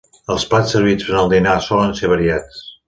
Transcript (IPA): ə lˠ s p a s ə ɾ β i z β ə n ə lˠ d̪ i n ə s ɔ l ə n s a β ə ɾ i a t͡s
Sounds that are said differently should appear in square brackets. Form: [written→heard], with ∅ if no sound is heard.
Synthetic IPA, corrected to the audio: ə lˠ s p a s ə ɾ β i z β ə n ə lˠ d̪ i n [ə→a] s ɔ l ə n s [a→e] β ə ɾ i a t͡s